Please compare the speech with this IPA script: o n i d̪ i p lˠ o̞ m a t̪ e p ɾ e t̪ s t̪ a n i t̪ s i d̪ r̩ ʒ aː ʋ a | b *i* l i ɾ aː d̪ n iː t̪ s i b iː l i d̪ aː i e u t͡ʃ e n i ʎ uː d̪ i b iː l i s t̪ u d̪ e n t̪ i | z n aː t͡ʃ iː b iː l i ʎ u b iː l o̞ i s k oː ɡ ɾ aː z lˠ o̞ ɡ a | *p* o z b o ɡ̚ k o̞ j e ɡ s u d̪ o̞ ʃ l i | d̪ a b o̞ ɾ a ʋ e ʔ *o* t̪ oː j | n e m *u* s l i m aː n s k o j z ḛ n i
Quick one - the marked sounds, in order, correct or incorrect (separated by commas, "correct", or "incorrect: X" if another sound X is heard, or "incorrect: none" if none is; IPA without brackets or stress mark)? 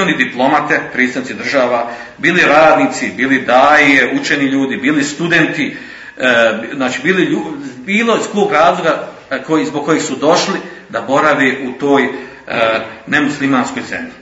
incorrect: iː, incorrect: k, incorrect: u, correct